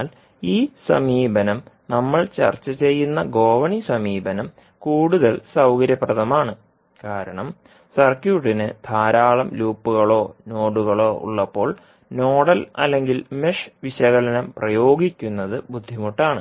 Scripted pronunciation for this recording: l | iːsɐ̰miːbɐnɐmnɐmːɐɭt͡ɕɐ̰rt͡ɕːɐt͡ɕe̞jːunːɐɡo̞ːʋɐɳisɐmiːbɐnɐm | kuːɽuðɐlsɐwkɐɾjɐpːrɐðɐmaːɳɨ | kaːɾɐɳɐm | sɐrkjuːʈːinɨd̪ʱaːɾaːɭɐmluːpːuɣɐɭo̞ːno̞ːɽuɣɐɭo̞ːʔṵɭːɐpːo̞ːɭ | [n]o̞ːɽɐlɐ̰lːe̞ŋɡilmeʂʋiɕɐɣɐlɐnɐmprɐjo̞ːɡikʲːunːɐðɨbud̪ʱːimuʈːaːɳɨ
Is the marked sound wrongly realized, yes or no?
no